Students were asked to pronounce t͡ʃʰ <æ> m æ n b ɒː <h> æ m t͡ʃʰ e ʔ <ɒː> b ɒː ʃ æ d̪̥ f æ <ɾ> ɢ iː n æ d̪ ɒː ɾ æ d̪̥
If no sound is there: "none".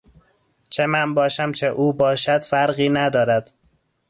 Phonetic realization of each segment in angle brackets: e, ʃ, uː, ɾ

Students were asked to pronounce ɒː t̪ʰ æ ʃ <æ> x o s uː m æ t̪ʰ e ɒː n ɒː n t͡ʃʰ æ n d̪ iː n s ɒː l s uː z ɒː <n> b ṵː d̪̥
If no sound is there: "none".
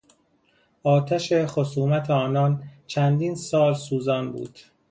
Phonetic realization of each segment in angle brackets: e, n

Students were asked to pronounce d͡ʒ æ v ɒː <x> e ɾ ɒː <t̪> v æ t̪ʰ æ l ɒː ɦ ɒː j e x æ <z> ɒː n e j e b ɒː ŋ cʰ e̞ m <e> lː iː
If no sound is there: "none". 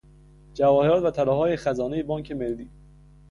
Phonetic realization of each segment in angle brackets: h, t̪, z, e

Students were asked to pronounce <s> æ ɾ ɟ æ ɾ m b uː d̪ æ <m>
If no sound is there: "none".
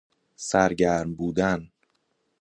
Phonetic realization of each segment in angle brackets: s, n

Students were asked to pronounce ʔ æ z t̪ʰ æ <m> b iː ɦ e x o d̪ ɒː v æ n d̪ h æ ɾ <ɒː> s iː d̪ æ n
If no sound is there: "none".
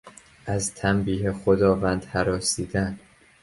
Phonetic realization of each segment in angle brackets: m, ɒː

